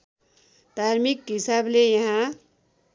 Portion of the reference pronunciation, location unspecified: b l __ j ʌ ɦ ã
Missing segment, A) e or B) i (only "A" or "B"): A